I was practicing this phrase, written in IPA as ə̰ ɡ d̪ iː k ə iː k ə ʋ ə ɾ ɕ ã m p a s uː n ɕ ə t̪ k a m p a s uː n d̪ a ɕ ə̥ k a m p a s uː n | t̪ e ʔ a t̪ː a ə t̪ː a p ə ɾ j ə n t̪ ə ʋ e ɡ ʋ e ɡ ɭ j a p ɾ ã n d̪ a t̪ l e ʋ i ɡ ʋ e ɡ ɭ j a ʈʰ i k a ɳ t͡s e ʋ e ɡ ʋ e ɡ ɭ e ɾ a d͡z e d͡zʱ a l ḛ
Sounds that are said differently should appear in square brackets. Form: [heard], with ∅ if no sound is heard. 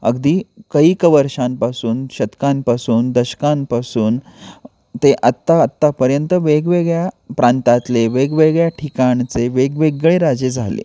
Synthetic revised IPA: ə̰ ɡ d̪ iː k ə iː k ə ʋ ə ɾ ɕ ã m p a s uː n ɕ ə t̪ k a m p a s uː n d̪ [ə] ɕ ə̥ k a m p a s uː n | t̪ e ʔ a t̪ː a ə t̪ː a p ə ɾ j ə n t̪ ə ʋ e ɡ ʋ e ɡ ɭ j a p ɾ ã n [t̪] a t̪ l e ʋ [e] ɡ ʋ e ɡ ɭ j a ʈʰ i k a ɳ t͡s e ʋ e ɡ ʋ e ɡ ɭ e ɾ a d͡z e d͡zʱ a l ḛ

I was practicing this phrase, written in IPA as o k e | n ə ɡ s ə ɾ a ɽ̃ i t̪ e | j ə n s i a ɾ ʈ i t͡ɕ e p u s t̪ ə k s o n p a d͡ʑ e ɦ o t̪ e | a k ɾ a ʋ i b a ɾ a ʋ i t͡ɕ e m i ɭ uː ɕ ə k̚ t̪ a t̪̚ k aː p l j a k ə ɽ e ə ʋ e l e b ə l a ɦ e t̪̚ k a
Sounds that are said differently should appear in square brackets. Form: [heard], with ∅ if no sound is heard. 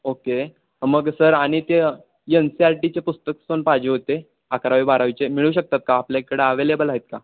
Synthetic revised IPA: o k e | [m] ə ɡ s ə ɾ a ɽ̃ i t̪ e | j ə n s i a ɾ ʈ i t͡ɕ e p u s t̪ ə k s o n p a d͡ʑ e ɦ o t̪ e | a k ɾ a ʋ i b a ɾ a ʋ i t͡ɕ e m i ɭ uː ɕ ə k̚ t̪ a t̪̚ k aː p l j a k ə ɽ e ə ʋ e l e b ə l a ɦ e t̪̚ k a

